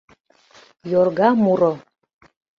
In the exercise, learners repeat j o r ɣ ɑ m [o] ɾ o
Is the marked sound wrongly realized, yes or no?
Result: yes